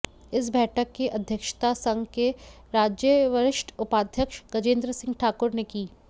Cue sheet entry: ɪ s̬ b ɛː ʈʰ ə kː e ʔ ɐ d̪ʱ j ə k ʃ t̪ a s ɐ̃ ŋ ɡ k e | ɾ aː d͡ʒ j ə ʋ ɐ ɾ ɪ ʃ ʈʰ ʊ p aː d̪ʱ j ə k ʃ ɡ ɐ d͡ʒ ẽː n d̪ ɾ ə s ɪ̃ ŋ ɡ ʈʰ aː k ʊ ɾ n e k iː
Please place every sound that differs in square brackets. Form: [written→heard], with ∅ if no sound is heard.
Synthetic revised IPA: ɪ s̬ b ɛː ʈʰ ə kː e ʔ ɐ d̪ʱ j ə k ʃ t̪ a s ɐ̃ ŋ ɡ k e | ɾ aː d͡ʒ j ə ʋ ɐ ɾ ɪ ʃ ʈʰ ʊ p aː d̪ʱ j ə k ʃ ɡ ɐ d͡ʒ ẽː n d̪ ɾ ə s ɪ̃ ŋ ɡ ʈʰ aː k ʊ ɾ n e k iː